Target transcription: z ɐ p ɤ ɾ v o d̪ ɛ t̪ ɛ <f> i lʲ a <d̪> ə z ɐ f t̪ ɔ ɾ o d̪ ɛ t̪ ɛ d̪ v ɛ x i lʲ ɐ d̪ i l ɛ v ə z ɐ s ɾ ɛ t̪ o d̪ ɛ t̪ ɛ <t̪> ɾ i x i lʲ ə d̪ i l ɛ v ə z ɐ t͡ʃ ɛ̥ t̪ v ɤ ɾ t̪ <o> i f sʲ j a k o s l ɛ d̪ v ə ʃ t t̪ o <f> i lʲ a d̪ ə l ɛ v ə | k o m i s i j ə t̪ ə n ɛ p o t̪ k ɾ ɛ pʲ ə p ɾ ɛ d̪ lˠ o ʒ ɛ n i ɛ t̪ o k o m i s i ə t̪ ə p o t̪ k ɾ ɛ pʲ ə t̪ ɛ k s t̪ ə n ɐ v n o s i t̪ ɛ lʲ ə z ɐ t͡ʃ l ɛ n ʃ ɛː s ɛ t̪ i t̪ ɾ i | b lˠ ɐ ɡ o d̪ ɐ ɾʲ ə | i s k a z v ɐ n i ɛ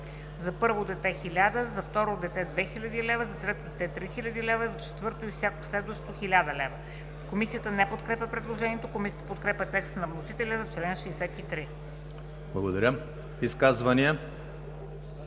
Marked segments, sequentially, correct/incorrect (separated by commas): incorrect, correct, correct, correct, incorrect